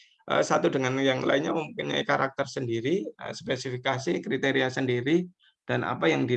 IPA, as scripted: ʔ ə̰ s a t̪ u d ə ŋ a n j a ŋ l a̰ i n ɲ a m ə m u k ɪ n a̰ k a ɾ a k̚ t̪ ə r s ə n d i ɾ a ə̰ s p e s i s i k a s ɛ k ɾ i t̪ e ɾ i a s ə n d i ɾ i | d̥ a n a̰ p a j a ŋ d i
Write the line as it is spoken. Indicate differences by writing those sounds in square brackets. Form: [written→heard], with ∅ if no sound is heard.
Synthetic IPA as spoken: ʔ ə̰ s a t̪ u d ə ŋ a n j a ŋ l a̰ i n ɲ a m ə m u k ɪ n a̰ k a ɾ a k̚ t̪ ə r s ə n d i ɾ [a→i] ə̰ s p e s i [s→f] i k a s [ɛ→i] k ɾ i t̪ e ɾ i a s ə n d i ɾ i | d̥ a n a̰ p a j a ŋ d i